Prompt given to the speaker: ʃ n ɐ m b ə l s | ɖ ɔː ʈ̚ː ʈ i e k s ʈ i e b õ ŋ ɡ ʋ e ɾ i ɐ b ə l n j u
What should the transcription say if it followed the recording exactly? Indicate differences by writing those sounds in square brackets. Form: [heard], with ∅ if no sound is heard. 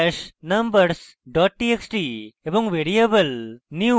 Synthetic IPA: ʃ n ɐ m b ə [ɾ] s | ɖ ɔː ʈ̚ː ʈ i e k s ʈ i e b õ ŋ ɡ ʋ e ɾ i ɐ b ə l n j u

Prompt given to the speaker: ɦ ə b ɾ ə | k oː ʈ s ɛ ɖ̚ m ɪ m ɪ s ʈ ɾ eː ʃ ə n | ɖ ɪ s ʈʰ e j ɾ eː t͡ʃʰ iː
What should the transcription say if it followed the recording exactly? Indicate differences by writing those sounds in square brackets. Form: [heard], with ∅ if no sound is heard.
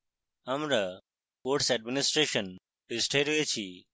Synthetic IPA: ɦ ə [m] ɾ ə | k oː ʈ s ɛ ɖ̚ m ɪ [n] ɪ s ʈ ɾ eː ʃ ə n | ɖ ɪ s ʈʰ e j ɾ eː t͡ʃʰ iː

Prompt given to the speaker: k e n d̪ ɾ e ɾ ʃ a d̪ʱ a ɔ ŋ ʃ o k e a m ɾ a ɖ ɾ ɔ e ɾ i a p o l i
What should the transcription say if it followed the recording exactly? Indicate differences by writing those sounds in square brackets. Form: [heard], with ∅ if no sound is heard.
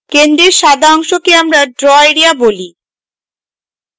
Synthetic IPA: k e n d̪ ɾ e ɾ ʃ a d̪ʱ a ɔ ŋ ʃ o k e a m ɾ a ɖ ɾ ɔ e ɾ i a [b] o l i

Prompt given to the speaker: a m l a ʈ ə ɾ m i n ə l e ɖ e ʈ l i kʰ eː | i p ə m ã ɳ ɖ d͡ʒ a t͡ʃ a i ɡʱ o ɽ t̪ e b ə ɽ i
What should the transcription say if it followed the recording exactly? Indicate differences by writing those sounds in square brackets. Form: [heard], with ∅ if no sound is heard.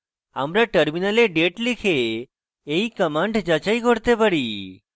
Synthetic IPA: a m [ɾ] a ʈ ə ɾ m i n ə l e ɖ e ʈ l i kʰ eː | i [k] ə m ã ɳ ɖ d͡ʒ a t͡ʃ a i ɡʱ o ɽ t̪ e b ə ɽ i

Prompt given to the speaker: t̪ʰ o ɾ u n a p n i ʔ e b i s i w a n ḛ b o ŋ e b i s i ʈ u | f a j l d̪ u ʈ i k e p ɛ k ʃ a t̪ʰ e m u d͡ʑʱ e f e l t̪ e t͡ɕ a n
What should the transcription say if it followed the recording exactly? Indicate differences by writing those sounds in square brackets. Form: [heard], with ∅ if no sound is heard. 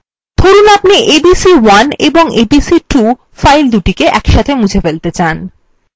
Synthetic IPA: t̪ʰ o ɾ u n a p n i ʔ e b i s i w a n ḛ b o ŋ e b i s i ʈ u | f a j l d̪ u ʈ i k e [ʔ] ɛ k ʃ a t̪ʰ e m u d͡ʑʱ e f e l t̪ e t͡ɕ a n

